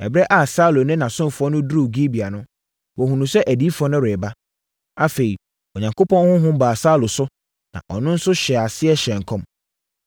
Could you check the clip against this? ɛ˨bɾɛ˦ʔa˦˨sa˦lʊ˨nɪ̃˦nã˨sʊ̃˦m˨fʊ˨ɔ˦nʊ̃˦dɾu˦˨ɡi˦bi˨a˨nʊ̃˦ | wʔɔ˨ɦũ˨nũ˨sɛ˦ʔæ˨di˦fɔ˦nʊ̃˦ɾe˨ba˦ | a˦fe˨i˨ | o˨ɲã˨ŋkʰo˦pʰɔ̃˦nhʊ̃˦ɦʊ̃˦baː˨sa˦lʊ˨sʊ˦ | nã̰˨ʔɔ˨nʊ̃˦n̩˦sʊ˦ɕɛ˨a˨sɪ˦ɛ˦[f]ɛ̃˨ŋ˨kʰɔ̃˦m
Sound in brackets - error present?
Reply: yes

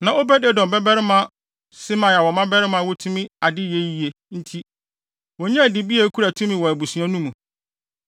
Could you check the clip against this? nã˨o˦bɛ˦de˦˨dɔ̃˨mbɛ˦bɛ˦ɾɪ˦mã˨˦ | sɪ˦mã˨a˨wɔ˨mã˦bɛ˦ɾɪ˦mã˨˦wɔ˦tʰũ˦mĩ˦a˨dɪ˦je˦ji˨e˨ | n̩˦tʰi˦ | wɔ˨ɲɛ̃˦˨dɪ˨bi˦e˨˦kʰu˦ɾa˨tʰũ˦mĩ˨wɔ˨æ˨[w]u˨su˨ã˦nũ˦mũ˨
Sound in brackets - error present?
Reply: yes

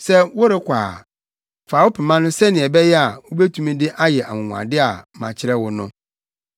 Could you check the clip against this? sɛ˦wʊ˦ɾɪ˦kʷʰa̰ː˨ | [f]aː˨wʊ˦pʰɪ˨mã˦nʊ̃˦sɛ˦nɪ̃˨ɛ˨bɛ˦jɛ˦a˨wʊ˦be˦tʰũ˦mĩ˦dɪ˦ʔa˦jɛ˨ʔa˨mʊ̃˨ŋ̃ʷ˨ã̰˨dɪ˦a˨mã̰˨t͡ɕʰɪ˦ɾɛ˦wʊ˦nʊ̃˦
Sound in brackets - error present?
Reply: no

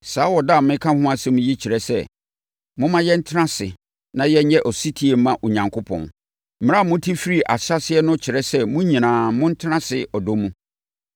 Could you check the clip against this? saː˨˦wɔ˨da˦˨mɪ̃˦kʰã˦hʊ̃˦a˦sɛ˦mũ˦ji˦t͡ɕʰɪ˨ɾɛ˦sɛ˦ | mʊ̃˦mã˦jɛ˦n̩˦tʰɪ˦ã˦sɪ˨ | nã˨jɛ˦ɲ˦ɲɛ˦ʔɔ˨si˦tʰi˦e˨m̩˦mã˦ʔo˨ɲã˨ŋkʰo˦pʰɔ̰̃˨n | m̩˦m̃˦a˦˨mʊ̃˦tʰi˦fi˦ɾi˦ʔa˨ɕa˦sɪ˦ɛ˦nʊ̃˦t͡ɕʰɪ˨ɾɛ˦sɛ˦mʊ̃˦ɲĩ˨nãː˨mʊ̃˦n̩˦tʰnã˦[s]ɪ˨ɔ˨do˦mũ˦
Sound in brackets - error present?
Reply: no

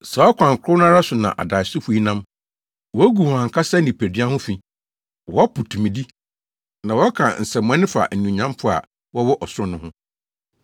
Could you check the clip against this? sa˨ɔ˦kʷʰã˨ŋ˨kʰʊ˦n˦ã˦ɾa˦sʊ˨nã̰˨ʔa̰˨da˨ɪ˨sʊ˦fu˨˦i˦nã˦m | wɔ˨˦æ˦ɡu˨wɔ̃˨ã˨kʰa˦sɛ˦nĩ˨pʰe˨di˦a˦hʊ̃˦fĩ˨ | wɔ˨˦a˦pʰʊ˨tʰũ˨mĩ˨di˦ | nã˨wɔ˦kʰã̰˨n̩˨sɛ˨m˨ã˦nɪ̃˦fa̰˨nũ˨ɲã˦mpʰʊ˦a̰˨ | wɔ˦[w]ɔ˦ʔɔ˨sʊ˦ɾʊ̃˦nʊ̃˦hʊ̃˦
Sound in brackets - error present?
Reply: no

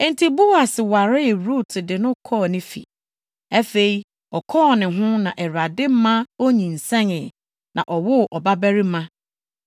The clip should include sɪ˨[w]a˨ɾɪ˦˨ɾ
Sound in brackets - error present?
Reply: no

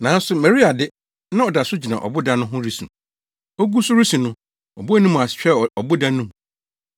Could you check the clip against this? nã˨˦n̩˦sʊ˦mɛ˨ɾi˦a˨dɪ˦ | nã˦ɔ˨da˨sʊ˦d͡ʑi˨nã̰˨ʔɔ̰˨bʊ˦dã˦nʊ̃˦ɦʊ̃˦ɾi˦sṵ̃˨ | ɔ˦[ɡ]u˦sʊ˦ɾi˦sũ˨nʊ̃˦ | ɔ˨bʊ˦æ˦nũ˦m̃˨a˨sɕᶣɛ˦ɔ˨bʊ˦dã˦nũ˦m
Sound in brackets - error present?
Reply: no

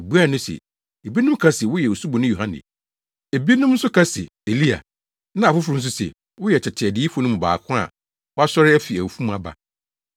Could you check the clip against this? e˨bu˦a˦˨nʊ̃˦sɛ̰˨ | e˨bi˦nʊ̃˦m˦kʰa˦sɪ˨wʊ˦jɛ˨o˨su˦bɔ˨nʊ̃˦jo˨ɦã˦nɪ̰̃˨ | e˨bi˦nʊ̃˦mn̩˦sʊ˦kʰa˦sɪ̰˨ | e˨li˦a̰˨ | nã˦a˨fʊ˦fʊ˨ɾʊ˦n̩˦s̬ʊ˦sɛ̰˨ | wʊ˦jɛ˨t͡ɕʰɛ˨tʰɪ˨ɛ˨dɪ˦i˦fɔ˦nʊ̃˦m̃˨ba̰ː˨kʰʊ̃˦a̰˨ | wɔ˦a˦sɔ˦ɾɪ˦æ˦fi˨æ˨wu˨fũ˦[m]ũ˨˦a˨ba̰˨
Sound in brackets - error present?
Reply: no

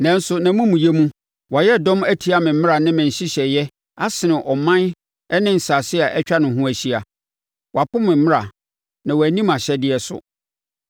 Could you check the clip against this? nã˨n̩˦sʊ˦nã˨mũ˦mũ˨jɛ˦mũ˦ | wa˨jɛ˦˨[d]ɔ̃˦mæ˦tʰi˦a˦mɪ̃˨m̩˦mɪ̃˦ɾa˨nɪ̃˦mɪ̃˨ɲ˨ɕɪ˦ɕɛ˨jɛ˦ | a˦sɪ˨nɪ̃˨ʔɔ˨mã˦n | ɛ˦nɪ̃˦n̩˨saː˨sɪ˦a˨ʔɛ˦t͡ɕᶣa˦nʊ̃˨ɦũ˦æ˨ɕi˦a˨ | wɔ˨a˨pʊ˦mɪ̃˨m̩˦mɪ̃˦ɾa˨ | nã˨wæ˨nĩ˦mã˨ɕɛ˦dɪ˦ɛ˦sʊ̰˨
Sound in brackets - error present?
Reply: no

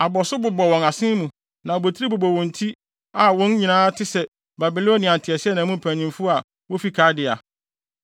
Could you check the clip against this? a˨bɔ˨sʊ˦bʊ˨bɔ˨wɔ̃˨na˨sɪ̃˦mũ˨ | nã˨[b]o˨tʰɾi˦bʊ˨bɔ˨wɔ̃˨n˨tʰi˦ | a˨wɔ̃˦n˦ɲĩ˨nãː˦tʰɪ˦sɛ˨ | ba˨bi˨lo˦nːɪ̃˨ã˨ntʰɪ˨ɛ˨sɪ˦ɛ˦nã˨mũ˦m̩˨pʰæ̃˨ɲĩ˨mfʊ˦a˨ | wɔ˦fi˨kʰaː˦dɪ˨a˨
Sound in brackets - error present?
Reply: no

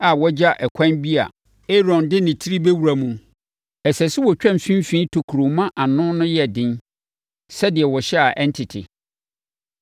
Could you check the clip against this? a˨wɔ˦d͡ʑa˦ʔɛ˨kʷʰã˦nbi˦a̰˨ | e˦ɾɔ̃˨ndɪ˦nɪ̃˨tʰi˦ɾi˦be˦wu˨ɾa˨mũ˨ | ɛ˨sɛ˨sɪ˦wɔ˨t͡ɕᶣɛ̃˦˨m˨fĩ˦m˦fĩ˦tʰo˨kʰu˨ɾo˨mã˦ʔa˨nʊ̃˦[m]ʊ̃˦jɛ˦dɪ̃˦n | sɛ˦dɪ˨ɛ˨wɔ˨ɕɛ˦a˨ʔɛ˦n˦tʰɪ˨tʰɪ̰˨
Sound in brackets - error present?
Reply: yes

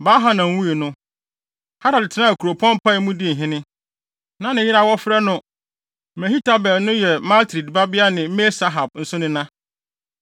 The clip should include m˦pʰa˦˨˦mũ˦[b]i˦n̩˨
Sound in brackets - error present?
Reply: yes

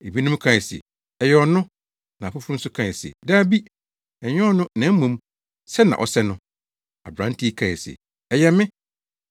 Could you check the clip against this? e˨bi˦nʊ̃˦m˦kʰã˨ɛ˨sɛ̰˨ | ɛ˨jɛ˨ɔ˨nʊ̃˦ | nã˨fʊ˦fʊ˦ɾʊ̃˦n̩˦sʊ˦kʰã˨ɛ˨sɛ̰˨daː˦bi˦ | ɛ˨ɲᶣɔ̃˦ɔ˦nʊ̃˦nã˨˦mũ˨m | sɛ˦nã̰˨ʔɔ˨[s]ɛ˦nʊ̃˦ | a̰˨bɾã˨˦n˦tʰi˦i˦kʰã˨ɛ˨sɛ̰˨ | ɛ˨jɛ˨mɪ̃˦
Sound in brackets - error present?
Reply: no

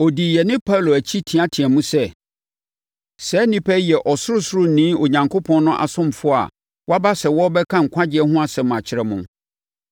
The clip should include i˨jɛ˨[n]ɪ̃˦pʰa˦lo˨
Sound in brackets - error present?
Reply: no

